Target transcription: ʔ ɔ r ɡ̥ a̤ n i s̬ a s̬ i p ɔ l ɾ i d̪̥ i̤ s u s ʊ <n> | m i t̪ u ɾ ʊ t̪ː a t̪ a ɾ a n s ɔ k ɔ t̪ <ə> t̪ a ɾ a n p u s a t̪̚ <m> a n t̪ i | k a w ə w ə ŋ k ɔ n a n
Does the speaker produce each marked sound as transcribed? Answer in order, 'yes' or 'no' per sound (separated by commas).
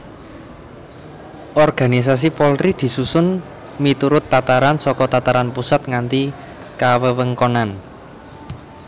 yes, no, no